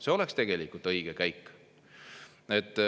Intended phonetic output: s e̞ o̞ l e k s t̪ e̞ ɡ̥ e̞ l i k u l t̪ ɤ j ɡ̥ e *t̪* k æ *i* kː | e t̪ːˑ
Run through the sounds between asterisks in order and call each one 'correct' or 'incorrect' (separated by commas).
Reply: incorrect, incorrect